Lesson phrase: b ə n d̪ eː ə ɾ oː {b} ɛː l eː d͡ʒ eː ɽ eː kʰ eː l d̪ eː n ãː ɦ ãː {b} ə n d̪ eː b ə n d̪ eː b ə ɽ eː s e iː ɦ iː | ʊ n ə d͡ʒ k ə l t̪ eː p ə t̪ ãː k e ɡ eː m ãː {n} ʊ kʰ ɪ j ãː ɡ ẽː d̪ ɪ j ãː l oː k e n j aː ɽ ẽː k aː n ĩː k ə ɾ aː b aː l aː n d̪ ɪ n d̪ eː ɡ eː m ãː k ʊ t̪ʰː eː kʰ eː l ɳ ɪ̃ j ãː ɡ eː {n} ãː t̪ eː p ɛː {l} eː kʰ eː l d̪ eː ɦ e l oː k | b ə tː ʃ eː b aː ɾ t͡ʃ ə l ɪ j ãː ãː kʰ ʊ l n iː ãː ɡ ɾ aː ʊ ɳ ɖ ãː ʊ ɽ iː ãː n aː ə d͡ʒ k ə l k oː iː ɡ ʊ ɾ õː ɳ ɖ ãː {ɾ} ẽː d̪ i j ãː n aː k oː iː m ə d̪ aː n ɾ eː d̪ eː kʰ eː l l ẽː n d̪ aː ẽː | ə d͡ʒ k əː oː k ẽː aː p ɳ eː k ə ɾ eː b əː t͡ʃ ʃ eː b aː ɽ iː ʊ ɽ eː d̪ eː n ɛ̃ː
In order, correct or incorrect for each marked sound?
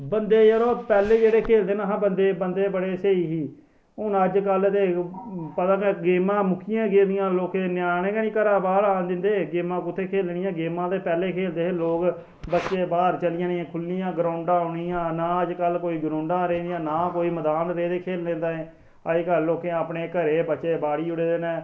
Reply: incorrect: p, correct, incorrect: m, incorrect: m, correct, correct

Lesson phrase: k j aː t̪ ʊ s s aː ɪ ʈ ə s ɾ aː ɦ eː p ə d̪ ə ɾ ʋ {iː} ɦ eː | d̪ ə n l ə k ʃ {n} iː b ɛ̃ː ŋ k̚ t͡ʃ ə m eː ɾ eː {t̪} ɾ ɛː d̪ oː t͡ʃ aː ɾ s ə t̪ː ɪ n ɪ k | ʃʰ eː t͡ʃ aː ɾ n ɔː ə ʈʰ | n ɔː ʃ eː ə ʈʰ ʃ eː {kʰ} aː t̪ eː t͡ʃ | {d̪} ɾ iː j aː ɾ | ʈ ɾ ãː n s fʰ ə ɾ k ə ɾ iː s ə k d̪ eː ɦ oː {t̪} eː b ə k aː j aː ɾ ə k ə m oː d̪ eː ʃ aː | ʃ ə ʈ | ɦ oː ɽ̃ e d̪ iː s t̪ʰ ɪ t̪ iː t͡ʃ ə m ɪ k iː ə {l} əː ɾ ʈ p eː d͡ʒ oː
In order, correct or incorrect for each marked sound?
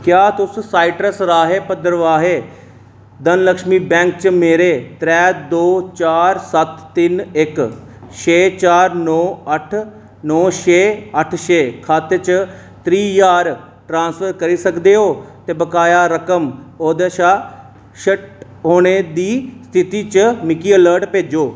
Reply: incorrect: aː, incorrect: m, correct, correct, incorrect: t̪, correct, correct

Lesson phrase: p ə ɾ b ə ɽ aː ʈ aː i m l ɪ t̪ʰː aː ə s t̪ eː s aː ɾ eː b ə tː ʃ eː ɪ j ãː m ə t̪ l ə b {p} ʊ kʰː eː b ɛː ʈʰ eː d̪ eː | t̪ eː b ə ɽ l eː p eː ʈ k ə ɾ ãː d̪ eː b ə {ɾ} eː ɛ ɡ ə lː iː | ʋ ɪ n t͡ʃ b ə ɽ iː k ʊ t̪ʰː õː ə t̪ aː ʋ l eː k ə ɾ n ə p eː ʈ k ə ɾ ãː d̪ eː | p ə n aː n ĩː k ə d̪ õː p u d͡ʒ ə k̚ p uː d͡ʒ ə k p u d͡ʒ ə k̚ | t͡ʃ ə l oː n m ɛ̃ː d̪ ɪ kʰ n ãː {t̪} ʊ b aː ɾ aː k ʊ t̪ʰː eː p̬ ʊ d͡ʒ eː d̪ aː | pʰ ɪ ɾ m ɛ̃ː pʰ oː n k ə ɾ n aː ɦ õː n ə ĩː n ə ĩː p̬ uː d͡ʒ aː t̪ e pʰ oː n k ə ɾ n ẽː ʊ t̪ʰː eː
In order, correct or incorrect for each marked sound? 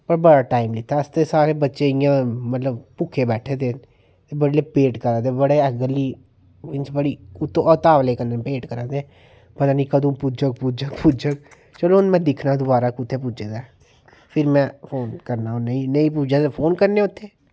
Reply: correct, incorrect: ɽ, incorrect: d̪

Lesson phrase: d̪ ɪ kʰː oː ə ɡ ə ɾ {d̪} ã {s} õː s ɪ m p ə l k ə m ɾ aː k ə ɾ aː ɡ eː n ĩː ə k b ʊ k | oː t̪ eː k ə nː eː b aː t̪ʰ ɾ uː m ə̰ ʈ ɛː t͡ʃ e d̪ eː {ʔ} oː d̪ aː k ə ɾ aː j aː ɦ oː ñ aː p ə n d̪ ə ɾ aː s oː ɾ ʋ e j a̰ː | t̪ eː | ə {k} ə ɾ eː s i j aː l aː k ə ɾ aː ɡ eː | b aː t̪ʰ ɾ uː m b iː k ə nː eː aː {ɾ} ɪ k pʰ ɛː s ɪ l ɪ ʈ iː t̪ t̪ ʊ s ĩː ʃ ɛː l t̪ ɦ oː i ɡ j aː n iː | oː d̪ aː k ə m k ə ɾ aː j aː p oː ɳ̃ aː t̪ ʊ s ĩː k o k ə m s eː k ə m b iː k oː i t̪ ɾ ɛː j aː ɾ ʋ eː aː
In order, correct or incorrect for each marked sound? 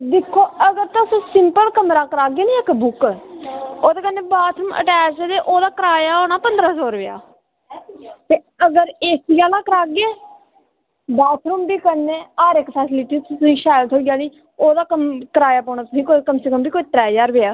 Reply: incorrect: t̪, correct, correct, incorrect: ɡ, correct

